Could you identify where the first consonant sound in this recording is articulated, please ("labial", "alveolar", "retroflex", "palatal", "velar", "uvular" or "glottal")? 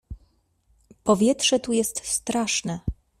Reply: labial